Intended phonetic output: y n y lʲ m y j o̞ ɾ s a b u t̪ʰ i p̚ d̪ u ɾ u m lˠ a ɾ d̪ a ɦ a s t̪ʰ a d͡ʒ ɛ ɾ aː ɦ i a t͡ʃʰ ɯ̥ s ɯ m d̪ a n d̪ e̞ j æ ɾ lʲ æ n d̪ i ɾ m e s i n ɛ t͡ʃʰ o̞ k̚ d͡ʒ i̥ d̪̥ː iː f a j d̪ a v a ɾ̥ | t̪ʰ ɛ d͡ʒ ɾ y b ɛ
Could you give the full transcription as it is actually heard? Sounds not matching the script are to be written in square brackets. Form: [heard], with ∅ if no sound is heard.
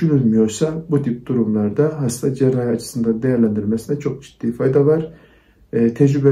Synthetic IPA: y n y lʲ m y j o̞ ɾ s a b u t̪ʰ i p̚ d̪ u ɾ u m lˠ a ɾ d̪ a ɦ a s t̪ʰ a d͡ʒ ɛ ɾ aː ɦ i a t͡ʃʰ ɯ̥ s ɯ [n] d̪ a n d̪ e̞ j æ ɾ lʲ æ n d̪ i ɾ m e s i n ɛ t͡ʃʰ o̞ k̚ d͡ʒ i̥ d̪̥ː iː f a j d̪ a v a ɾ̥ | t̪ʰ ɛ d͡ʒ ɾ y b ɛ